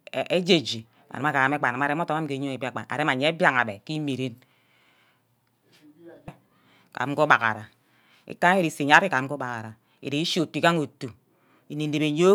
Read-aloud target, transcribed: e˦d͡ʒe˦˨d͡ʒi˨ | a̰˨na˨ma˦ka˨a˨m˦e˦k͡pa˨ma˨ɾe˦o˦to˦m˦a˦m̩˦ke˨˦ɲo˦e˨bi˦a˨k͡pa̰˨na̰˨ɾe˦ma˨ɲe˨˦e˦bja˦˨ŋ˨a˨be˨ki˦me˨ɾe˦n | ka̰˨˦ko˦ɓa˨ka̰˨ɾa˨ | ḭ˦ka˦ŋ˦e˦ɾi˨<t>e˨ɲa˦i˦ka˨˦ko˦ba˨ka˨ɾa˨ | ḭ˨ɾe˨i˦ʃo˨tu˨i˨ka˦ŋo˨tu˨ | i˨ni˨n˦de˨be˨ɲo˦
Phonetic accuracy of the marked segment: incorrect: s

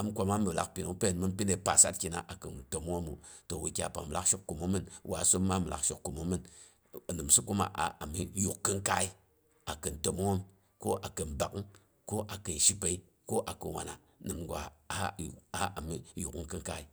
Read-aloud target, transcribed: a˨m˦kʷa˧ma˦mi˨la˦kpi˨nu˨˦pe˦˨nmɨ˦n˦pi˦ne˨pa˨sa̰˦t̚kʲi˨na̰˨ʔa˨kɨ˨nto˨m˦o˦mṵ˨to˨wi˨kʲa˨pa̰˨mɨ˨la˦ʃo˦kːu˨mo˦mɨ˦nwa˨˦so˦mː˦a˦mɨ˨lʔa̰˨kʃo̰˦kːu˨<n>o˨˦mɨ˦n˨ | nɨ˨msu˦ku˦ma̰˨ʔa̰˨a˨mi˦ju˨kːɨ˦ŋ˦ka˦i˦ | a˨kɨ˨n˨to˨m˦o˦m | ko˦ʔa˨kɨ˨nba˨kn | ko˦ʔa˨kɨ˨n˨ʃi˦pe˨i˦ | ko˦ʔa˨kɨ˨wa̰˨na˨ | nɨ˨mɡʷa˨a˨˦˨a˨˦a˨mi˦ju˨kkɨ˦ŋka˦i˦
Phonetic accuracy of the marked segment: incorrect: m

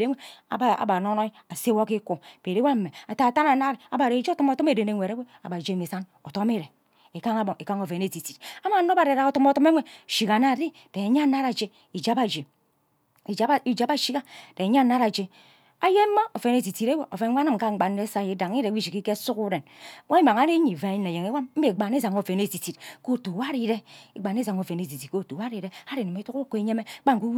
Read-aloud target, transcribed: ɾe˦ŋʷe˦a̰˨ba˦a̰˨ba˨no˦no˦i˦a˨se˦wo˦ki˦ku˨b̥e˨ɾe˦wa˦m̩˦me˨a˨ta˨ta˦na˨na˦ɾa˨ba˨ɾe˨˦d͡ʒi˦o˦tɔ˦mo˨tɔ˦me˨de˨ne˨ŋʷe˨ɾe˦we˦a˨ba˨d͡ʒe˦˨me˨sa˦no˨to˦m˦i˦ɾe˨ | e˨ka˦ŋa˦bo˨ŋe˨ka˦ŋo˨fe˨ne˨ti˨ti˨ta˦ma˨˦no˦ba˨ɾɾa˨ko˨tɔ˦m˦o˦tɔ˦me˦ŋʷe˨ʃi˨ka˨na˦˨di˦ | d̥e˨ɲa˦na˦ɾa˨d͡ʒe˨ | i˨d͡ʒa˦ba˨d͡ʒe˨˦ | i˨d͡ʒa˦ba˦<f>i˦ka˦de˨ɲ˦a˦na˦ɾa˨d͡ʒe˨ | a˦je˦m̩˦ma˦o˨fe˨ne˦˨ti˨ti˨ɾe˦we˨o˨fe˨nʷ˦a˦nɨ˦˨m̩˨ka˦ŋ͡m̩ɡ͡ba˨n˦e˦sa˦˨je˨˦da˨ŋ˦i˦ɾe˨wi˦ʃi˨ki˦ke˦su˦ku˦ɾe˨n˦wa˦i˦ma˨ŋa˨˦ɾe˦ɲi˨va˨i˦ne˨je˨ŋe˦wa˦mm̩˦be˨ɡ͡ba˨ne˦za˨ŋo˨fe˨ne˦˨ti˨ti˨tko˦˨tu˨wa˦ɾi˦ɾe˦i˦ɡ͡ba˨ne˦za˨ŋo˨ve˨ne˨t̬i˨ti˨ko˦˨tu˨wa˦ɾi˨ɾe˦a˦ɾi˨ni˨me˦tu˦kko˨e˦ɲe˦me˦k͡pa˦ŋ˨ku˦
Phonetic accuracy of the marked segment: incorrect: ʃ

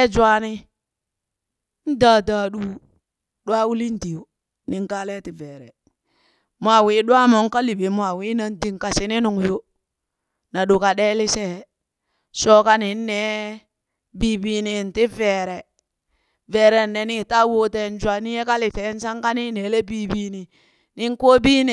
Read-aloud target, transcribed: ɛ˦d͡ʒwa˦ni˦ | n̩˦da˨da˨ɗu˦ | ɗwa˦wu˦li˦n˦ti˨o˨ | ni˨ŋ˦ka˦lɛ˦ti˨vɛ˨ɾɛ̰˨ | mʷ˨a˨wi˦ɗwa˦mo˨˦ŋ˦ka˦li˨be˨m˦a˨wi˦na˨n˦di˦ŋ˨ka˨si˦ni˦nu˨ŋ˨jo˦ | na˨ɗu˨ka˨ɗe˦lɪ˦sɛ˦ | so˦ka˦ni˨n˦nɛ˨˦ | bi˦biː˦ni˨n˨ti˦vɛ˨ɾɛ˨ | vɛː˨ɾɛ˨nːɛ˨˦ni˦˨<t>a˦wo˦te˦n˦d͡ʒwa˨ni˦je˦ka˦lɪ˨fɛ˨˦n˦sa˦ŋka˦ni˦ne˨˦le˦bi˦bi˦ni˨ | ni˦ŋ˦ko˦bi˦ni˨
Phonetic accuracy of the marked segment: correct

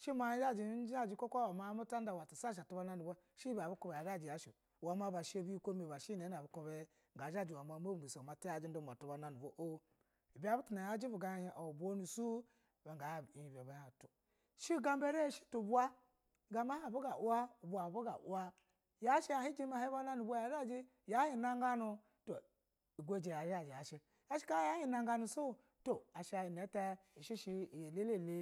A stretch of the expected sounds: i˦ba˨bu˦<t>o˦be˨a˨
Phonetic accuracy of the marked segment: incorrect: k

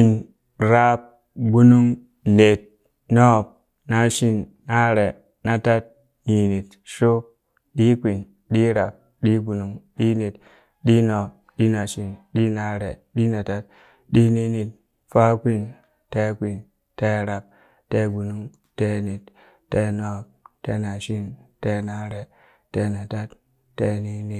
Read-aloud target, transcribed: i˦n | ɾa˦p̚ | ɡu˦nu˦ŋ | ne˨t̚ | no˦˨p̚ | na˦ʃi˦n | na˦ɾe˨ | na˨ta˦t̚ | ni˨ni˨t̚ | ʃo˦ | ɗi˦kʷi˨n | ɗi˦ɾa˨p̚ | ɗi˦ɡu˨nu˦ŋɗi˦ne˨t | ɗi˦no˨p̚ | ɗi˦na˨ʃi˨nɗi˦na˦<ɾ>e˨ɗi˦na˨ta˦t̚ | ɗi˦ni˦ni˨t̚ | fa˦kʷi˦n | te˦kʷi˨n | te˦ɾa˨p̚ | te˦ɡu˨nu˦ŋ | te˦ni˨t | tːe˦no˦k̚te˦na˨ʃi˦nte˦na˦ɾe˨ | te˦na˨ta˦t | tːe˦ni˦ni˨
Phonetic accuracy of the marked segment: correct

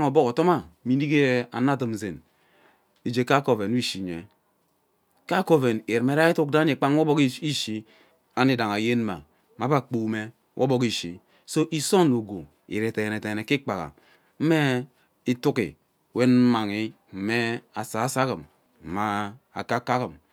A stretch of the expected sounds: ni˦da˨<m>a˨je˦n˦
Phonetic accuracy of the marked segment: incorrect: ŋ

